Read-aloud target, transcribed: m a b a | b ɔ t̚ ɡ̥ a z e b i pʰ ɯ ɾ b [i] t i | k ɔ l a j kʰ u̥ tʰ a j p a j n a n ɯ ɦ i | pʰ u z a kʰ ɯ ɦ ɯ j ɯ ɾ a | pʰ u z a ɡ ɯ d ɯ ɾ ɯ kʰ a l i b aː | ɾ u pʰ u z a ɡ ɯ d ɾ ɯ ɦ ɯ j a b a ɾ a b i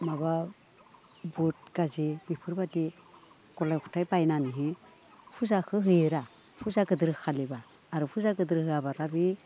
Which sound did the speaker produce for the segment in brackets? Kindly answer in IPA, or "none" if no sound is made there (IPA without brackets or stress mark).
a